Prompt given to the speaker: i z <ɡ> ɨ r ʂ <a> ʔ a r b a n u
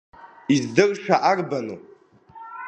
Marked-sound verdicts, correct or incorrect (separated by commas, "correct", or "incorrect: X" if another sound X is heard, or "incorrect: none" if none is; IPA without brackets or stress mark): incorrect: d, correct